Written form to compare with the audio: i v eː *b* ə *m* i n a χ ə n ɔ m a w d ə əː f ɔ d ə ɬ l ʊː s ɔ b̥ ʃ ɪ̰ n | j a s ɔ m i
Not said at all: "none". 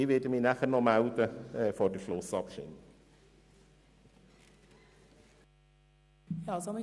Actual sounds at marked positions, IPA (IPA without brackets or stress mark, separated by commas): d, m